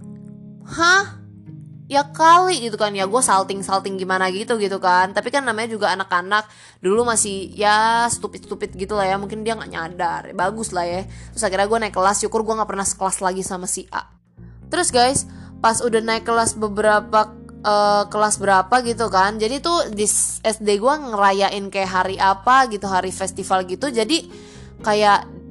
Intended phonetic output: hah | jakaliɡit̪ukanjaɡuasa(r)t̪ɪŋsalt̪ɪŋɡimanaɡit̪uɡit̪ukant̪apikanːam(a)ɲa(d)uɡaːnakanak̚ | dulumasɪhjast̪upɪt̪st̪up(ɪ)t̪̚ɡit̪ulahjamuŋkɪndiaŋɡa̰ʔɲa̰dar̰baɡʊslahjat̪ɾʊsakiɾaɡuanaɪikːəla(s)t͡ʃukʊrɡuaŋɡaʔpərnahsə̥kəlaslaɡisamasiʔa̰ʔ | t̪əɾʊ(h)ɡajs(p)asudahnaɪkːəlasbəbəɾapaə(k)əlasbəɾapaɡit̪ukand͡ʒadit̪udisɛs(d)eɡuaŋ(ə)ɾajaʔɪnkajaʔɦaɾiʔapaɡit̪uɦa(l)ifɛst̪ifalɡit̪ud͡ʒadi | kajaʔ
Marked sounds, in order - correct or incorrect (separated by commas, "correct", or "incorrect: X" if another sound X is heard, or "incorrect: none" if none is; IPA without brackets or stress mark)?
incorrect: l, correct, incorrect: d͡ʒ, correct, correct, incorrect: s, correct, correct, correct, correct, incorrect: ɾ